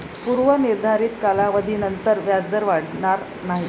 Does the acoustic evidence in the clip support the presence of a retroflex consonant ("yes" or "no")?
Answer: yes